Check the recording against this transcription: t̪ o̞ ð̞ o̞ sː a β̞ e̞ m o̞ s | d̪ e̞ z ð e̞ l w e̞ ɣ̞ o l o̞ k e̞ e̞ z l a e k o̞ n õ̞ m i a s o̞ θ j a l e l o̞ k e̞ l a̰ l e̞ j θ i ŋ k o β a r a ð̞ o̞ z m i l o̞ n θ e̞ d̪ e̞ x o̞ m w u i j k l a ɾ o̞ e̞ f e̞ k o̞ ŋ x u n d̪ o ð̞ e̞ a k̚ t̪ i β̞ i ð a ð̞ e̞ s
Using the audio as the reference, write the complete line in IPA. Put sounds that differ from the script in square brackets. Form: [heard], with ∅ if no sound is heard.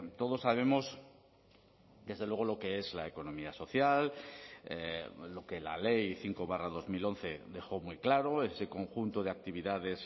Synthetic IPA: t̪ o̞ ð̞ o̞ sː a β̞ e̞ m o̞ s | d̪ e̞ z ð e̞ l w e̞ ɣ̞ o l o̞ k e̞ e̞ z l a e k o̞ n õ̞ m i a s o̞ θ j a l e l o̞ k e̞ l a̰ l e̞ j θ i ŋ k o β a r a ð̞ o̞ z m i l o̞ n θ e̞ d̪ e̞ x o̞ m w u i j k l a ɾ o̞ e̞ [s] e̞ k o̞ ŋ x u n [t̪] o ð̞ e̞ a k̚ t̪ i β̞ i ð a ð̞ e̞ s